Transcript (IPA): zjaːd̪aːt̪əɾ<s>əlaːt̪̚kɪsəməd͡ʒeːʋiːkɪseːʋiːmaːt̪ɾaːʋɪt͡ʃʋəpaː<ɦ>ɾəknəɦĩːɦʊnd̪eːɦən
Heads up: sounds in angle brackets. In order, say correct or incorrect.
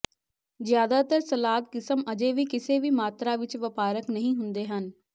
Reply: correct, incorrect

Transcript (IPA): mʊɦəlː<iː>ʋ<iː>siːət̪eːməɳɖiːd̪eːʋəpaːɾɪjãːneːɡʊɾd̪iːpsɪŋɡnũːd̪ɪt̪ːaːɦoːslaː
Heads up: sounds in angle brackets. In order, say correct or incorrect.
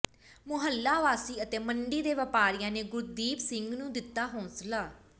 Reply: incorrect, incorrect

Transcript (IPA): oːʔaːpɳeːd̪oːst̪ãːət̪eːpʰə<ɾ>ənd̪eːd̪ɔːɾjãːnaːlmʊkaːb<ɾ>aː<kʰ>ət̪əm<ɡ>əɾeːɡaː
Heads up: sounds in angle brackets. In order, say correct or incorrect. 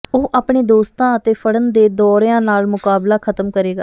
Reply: incorrect, incorrect, correct, incorrect

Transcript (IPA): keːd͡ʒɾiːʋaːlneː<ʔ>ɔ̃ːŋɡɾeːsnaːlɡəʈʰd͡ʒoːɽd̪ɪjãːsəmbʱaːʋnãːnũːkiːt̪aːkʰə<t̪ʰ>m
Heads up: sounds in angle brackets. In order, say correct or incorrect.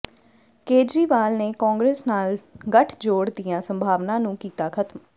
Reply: incorrect, incorrect

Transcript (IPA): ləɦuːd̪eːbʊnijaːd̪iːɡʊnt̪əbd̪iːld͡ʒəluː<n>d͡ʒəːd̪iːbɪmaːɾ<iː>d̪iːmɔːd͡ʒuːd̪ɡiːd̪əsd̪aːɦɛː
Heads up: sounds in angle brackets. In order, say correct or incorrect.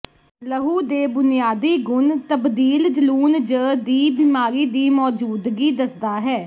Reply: correct, correct

